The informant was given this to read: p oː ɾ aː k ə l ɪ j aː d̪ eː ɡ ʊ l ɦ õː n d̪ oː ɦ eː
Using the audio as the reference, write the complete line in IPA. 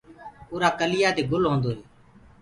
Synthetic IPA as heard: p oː ɾ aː k ə l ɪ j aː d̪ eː ɡ ʊ l ɦ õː n d̪ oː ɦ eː